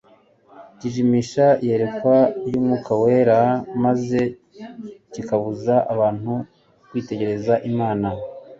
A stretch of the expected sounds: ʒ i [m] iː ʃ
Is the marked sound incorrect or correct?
correct